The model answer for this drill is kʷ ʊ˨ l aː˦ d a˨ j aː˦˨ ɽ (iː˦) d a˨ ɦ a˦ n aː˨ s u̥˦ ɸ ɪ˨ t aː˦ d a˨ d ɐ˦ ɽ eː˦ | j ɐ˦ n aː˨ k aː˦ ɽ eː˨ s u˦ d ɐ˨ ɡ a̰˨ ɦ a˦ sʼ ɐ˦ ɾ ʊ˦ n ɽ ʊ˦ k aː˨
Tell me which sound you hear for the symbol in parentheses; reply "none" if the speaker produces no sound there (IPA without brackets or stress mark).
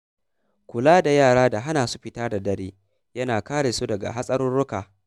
aː˦